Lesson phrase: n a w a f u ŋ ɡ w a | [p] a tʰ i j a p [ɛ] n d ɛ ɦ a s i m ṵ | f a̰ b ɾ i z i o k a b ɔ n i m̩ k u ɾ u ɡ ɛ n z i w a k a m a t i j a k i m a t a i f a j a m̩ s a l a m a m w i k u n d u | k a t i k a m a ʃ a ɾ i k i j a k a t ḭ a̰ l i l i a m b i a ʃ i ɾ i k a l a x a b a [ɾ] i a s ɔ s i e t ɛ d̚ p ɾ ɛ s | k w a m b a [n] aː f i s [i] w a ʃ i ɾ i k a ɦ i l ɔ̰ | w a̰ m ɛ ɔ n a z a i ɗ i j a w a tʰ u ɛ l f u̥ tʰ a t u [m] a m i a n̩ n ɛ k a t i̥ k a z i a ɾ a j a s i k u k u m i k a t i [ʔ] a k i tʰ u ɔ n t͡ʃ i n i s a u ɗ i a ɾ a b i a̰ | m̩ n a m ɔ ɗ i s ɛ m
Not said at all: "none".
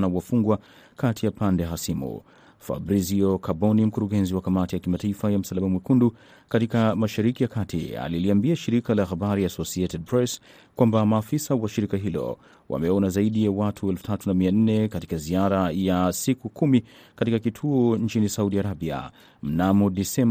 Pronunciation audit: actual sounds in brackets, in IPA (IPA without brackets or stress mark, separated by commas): k, a, ɾ, m, a, n, k